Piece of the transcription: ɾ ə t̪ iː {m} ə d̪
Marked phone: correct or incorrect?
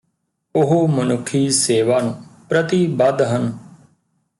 incorrect